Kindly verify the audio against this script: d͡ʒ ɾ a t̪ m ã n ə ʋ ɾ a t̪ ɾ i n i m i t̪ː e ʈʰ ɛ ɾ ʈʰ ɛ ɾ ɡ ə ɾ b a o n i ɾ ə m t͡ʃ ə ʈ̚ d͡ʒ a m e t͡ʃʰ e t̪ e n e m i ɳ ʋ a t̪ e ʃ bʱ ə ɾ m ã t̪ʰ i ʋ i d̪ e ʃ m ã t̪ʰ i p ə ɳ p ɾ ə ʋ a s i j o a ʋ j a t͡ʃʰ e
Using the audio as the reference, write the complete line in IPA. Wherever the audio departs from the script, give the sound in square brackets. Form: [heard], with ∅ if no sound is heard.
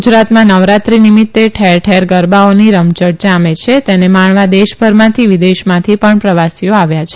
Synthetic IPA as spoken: d͡ʒ ɾ a t̪ m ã n ə ʋ ɾ a t̪ ɾ i n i m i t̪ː e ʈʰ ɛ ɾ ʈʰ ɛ ɾ ɡ ə ɾ b a o n i ɾ ə m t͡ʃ ə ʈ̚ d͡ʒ a m e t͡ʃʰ e t̪ e n e m [a] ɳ ʋ a [d̪] e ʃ bʱ ə ɾ m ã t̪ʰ i ʋ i d̪ e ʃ m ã t̪ʰ i p ə ɳ p ɾ ə ʋ a s i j o a ʋ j a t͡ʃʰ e